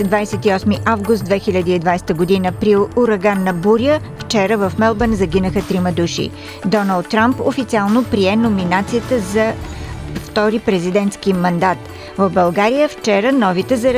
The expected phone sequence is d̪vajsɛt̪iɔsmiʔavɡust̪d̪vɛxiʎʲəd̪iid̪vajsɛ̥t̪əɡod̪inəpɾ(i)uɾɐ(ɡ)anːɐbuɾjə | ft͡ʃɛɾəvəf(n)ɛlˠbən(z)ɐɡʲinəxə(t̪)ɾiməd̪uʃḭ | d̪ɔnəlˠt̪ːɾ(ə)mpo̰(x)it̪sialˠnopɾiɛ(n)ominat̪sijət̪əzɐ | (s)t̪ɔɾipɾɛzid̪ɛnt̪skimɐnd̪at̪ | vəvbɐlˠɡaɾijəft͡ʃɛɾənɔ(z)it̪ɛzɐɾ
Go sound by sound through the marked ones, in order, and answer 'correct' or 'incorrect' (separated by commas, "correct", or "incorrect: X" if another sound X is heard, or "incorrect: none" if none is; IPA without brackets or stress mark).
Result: correct, correct, incorrect: m, correct, correct, incorrect: a, incorrect: f, correct, incorrect: f, incorrect: v